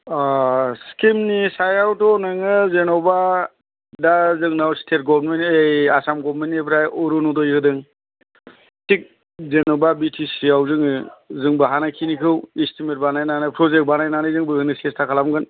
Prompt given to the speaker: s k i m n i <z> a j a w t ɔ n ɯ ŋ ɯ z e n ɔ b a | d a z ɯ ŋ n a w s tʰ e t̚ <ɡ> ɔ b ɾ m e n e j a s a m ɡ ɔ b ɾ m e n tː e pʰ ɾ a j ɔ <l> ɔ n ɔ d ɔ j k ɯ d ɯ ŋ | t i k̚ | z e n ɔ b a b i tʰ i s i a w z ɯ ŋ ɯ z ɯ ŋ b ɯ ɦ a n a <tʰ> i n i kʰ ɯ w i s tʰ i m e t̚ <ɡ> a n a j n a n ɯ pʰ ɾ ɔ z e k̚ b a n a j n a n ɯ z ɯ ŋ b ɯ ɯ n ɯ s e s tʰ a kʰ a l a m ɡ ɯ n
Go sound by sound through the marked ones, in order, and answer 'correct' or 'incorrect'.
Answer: incorrect: s, correct, incorrect: ɾ, incorrect: kʰ, incorrect: b

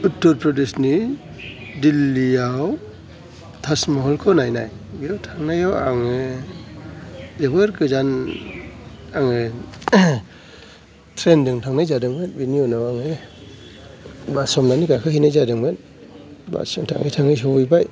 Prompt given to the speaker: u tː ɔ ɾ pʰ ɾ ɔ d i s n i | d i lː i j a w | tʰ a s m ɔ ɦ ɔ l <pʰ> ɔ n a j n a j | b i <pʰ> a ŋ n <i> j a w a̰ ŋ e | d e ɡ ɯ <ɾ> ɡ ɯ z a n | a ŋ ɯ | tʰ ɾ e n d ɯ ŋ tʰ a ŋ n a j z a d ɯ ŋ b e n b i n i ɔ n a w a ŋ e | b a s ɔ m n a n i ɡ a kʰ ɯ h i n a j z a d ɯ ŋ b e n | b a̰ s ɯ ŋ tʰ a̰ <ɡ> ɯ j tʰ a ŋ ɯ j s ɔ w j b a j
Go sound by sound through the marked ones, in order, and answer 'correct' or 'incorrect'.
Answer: incorrect: kʰ, incorrect: tʰ, incorrect: a, correct, incorrect: ŋ

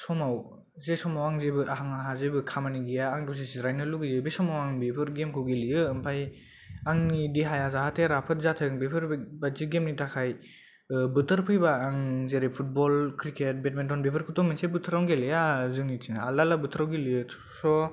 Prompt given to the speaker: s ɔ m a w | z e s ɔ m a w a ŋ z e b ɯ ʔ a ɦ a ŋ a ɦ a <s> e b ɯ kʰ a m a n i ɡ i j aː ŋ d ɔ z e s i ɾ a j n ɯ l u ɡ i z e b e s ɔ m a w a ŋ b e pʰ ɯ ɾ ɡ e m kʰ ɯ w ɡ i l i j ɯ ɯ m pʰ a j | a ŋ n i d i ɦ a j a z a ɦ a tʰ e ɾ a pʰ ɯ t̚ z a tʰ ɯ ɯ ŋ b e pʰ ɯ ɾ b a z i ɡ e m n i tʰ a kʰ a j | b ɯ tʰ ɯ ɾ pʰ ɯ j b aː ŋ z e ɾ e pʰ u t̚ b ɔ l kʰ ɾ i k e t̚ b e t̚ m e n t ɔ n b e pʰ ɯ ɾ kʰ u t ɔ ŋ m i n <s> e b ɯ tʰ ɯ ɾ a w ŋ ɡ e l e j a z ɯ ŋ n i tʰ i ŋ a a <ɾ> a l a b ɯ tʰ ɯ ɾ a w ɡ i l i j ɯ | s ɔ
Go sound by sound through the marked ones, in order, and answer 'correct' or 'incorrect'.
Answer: incorrect: z, correct, incorrect: l

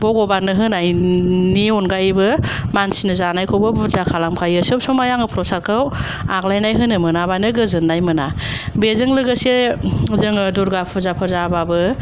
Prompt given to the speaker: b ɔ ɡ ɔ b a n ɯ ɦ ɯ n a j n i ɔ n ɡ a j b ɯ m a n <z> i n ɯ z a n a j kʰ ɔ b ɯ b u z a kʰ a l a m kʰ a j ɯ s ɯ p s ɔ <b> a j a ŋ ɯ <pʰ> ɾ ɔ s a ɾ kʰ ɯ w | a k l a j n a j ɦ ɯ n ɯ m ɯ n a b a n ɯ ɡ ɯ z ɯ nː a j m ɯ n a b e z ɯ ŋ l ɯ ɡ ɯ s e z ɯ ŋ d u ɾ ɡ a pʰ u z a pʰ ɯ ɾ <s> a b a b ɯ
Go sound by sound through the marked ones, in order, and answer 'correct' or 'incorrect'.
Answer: incorrect: s, incorrect: m, correct, incorrect: z

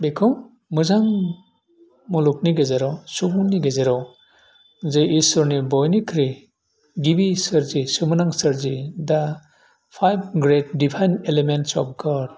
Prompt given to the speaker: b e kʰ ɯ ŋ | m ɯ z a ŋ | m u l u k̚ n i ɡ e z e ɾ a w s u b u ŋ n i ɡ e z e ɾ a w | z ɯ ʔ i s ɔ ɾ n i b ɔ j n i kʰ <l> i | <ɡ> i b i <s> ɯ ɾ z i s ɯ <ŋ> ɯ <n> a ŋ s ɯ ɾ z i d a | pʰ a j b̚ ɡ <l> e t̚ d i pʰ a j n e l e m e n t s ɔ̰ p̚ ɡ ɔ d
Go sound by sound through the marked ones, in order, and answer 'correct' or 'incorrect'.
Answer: incorrect: ɾ, correct, correct, incorrect: m, correct, incorrect: ɾ

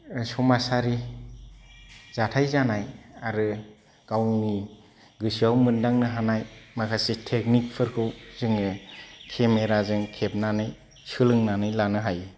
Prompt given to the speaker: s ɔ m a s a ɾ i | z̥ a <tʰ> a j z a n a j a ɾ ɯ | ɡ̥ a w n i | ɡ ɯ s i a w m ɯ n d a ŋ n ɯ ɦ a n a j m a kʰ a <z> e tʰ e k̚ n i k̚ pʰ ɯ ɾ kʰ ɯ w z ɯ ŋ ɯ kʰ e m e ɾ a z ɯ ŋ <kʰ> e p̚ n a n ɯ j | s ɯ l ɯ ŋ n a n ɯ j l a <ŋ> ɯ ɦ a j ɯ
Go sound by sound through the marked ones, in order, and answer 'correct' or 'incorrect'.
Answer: correct, incorrect: s, correct, incorrect: n

